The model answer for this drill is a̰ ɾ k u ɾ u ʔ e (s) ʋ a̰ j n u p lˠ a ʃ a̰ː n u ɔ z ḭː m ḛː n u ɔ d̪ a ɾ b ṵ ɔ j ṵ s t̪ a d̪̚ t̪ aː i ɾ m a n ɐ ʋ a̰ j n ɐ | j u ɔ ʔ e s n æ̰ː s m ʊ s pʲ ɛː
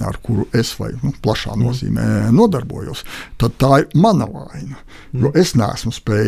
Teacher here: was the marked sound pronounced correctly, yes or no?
yes